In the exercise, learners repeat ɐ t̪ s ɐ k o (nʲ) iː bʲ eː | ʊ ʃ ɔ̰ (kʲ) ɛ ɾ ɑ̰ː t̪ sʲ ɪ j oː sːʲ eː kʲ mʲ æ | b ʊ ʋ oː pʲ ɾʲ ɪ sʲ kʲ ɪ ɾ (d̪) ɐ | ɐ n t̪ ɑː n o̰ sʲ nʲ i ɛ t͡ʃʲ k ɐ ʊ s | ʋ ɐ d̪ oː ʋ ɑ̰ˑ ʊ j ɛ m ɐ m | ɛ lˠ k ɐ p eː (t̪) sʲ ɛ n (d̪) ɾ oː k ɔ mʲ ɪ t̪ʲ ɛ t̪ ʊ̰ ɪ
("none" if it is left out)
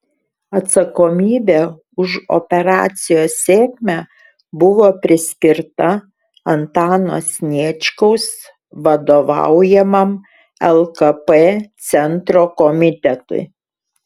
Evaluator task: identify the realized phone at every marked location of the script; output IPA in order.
mʲ, pʲ, t̪, t̪, t̪

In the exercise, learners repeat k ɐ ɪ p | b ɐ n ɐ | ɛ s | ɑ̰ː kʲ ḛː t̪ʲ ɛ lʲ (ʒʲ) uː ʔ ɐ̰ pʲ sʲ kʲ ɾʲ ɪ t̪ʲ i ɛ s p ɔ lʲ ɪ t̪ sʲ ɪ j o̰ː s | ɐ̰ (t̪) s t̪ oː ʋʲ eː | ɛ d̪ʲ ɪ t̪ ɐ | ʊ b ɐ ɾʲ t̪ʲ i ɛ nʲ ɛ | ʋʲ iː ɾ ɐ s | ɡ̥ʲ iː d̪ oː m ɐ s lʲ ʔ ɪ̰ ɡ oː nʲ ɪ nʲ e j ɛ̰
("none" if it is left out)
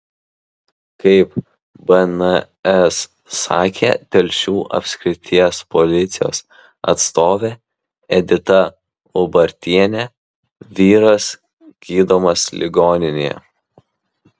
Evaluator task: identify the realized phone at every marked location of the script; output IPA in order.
ʃʲ, t̪

